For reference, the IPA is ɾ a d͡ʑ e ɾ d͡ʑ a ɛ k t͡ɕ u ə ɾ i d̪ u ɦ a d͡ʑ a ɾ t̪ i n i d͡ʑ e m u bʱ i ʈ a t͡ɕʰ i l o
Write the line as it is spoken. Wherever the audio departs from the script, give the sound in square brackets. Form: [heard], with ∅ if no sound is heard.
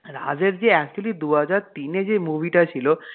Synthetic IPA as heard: ɾ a d͡ʑ e ɾ d͡ʑ [e] ɛ k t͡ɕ u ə [l] i d̪ u ɦ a d͡ʑ a ɾ t̪ i n [e] d͡ʑ e m u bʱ i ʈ a t͡ɕʰ i l o